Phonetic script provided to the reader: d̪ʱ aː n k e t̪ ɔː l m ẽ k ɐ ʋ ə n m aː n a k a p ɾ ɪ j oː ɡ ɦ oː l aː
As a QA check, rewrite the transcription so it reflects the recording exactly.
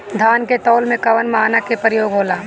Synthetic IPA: d̪ʱ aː n k e t̪ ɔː l m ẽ k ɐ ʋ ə n m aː n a k e p ɾ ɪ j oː ɡ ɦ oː l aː